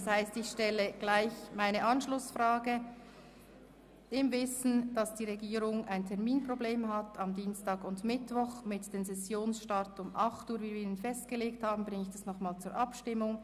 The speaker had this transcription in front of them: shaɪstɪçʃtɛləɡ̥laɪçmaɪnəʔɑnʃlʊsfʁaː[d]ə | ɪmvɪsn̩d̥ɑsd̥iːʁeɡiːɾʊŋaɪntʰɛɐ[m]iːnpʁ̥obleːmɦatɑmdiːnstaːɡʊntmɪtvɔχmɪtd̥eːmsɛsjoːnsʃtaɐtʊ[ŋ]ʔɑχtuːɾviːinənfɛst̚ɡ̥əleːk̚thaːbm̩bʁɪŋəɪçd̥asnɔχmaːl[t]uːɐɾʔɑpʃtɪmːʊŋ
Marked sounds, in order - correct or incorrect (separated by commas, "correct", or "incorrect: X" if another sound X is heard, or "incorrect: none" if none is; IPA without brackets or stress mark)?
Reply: incorrect: ɡ, correct, incorrect: m, incorrect: t͡s